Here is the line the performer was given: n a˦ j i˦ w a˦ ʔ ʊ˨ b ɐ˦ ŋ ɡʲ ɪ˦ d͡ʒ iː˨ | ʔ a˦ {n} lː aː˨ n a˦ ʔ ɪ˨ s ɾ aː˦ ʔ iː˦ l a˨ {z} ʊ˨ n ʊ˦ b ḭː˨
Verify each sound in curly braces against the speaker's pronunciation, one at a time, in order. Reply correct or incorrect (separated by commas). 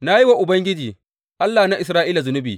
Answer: incorrect, correct